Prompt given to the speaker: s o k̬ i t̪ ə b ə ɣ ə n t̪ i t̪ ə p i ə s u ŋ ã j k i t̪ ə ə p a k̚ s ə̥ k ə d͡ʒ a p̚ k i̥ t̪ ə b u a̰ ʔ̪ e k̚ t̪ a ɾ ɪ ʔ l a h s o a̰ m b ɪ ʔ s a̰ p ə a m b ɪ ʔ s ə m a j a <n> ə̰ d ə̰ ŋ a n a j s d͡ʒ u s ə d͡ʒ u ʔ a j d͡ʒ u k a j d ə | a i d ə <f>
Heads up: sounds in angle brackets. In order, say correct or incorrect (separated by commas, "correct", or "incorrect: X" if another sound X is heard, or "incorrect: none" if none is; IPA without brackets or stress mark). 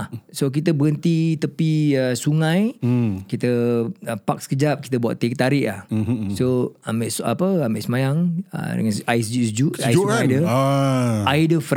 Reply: incorrect: ŋ, correct